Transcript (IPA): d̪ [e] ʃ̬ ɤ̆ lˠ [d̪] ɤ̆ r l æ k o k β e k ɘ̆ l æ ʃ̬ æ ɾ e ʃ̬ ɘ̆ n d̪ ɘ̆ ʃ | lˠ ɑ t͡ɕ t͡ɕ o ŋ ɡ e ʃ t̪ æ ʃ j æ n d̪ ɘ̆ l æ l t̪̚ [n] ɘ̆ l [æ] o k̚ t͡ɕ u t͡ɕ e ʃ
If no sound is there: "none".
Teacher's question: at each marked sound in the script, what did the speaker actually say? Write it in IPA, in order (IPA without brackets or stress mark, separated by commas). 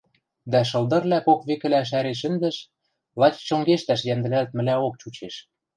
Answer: æ, d̪, m, æ